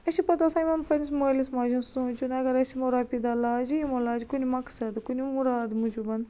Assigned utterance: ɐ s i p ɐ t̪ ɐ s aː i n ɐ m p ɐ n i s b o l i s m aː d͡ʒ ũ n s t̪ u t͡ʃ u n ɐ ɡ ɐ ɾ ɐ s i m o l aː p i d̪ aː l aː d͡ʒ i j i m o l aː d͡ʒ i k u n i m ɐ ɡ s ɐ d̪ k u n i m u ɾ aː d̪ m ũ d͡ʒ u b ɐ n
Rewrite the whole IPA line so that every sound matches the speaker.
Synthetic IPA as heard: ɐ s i p ɐ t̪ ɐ s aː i m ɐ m p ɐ n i s m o l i s m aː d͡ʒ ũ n s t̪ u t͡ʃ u n ɐ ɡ ɐ ɾ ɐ s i m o ɾ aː p i d̪ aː l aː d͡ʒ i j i m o l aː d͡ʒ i k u n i m ɐ k s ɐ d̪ k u n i m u ɾ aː d̪ m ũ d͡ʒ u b ɐ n